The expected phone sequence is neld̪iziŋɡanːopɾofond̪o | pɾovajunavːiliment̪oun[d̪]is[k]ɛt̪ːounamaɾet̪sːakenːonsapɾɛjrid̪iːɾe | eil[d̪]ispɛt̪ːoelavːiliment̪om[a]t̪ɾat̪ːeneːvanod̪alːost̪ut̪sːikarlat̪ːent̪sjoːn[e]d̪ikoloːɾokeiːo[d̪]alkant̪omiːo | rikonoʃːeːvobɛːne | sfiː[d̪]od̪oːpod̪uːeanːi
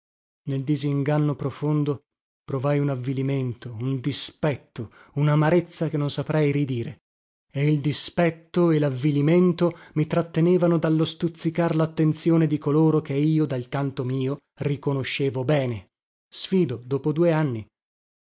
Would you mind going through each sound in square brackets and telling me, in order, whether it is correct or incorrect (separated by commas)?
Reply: correct, incorrect, correct, incorrect, correct, correct, correct